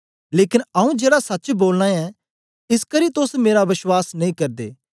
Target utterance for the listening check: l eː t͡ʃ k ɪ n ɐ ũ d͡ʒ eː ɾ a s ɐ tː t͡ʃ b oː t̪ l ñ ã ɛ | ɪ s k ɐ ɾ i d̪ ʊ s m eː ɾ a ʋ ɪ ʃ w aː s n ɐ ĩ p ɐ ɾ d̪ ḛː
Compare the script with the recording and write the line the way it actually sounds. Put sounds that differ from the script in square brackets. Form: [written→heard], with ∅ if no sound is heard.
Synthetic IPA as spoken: l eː [t͡ʃ→∅] k ɪ n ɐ ũ d͡ʒ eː [ɾ→ɽ] a s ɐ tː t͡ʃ b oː [t̪→∅] l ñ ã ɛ | ɪ s k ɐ ɾ i [d̪→t̪] ʊ s m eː ɾ a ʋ ɪ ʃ w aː s n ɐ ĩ [p→k] ɐ ɾ d̪ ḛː

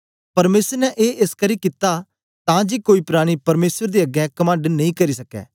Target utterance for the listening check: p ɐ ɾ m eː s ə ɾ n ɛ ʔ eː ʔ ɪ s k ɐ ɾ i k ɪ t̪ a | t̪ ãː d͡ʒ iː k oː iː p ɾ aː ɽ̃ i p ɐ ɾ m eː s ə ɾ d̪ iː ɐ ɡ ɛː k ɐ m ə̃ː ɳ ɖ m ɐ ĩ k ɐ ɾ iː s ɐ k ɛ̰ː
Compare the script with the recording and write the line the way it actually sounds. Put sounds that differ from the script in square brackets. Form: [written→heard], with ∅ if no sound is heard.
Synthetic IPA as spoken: p ɐ ɾ m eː s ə ɾ n ɛ ʔ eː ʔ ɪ s k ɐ ɾ i k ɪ t̪ a | t̪ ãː d͡ʒ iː k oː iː p ɾ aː ɽ̃ i p ɐ ɾ m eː s ə ɾ d̪ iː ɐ ɡ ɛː k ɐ m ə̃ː ɳ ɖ [m→n] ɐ ĩ k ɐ ɾ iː s ɐ k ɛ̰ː

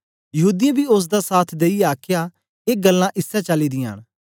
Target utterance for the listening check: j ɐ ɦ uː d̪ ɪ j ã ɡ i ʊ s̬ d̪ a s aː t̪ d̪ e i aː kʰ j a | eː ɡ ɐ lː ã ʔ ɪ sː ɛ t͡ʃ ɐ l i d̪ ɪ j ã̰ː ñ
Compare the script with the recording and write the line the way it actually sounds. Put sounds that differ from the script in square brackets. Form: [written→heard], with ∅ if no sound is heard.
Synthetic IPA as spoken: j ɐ ɦ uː d̪ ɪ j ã [ɡ→b] i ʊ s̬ d̪ a s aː [t̪→t̪ʰ] d̪ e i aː kʰ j a | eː ɡ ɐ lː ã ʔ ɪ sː ɛ t͡ʃ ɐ l i d̪ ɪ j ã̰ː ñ

